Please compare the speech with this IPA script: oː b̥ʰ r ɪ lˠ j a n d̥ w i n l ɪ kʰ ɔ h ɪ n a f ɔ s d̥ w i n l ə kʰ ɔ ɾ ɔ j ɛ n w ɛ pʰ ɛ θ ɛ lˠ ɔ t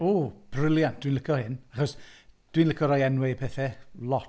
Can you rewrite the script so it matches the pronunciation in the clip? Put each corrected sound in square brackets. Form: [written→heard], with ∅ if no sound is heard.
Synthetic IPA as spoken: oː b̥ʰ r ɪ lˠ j a n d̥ w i n l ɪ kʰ ɔ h ɪ n a [f→χ] ɔ s d̥ w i n l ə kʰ ɔ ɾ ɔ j ɛ n w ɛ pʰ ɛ θ ɛ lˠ ɔ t